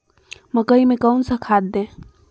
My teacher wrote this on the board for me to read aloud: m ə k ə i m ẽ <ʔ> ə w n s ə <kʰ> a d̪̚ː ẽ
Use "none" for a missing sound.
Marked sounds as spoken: k, kʰ

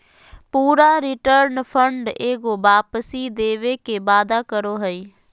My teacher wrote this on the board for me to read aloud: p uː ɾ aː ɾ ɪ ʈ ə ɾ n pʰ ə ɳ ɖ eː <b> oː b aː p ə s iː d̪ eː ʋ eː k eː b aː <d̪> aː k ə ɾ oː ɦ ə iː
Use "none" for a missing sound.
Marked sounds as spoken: ɡ, d̪

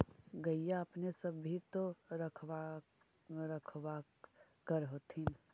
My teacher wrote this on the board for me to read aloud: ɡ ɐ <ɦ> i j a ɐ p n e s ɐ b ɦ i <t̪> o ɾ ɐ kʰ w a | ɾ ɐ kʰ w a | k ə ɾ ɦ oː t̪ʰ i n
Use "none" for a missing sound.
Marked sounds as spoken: none, t̪

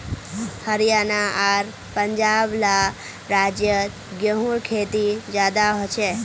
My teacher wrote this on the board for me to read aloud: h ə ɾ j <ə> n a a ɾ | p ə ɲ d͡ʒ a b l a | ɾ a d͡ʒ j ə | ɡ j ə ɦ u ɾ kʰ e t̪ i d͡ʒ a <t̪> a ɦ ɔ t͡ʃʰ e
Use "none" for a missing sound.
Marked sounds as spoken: a, d̪

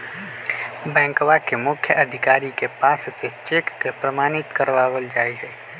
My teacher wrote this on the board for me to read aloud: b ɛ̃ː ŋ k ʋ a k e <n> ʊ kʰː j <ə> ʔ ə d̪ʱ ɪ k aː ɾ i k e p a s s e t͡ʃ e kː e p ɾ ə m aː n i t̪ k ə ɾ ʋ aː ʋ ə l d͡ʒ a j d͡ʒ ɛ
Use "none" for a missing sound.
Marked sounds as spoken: m, ə

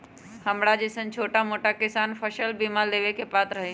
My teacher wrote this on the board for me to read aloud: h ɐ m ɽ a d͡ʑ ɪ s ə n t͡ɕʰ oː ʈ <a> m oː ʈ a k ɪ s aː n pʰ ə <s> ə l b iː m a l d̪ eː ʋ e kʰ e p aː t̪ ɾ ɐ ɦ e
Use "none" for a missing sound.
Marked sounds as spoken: a, ʃ

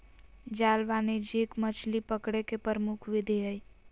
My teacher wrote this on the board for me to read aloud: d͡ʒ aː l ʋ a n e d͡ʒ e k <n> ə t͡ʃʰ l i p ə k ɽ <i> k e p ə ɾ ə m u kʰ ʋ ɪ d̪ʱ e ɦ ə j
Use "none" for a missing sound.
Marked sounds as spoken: m, e

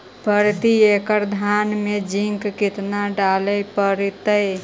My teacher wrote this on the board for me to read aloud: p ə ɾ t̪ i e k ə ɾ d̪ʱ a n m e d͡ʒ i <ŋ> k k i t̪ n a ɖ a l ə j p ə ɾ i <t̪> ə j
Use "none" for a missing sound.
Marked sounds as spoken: ŋ, t̪

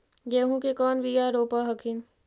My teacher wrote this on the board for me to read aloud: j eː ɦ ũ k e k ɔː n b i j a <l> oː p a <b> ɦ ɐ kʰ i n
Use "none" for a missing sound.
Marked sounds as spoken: ɾ, none

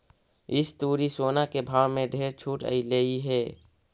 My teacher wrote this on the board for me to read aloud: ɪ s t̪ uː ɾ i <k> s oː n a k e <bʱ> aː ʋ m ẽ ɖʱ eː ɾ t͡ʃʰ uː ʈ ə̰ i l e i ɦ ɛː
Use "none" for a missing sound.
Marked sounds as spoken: none, bʱ

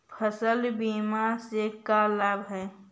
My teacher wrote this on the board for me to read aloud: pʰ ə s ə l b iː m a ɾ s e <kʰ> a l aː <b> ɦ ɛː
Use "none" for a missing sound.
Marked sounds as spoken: k, b

